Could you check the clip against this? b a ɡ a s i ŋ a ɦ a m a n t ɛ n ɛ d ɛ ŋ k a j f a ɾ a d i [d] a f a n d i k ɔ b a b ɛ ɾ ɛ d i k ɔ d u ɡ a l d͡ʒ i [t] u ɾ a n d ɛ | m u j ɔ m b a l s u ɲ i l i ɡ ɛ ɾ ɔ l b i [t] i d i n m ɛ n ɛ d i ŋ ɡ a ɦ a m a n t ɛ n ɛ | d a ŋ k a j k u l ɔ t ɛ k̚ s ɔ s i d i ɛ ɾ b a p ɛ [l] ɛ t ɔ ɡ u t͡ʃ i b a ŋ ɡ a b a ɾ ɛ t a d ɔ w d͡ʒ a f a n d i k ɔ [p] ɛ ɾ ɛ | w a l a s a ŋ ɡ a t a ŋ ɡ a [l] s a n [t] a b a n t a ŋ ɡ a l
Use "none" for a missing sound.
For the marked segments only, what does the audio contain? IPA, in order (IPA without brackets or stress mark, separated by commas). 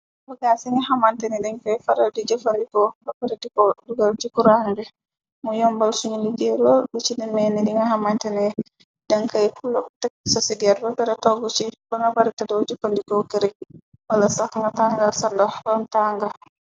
d͡ʒ, k, t͡ʃ, ɾ, k, l, d